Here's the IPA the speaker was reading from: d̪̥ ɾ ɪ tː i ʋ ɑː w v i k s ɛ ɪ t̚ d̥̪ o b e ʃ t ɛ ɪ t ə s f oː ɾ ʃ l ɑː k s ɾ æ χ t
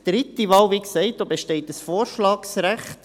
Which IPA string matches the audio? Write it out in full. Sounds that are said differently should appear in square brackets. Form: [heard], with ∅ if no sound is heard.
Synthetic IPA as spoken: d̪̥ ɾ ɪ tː i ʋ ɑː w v i k s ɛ ɪ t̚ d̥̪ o b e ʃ t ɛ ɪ t ə s f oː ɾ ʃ l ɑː k s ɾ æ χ t